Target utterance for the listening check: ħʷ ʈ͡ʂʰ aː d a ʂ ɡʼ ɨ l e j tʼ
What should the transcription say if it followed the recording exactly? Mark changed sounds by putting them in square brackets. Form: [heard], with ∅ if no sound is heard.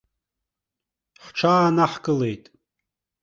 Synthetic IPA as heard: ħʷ ʈ͡ʂʰ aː [n] a [ħ] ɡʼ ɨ l e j tʼ